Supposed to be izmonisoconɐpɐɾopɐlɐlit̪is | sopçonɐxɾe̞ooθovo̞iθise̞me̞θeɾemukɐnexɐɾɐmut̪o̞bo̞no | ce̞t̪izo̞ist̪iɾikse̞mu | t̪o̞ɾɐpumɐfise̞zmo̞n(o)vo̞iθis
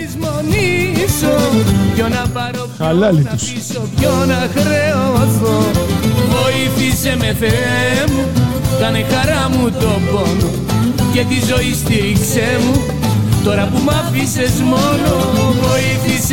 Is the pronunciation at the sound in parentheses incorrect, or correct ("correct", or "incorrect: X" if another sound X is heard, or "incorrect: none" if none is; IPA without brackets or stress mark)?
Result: correct